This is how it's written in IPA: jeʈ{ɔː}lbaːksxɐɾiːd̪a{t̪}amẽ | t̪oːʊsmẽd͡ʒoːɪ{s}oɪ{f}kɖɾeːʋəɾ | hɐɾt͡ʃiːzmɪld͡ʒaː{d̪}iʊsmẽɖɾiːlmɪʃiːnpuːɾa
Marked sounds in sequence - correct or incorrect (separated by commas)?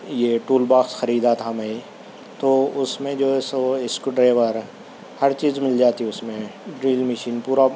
incorrect, incorrect, correct, incorrect, incorrect